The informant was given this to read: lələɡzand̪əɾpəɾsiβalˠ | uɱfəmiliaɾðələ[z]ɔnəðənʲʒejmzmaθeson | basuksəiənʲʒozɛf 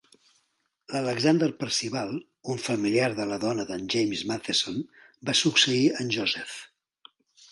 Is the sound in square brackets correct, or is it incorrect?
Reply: incorrect